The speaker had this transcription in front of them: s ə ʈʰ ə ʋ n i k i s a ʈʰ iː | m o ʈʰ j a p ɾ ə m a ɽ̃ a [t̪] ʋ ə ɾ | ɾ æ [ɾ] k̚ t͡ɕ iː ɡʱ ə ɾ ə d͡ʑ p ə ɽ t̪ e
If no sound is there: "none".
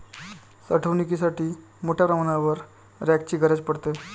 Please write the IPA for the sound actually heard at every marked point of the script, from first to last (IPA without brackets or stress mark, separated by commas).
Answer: none, none